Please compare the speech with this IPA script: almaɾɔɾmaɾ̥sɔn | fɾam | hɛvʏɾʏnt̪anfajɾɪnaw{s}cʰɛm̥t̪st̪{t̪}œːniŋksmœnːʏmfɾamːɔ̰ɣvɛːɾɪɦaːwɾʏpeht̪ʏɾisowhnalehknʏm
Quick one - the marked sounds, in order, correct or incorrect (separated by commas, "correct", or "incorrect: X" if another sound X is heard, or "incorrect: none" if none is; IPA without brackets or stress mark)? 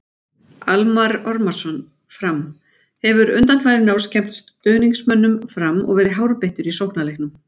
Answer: correct, correct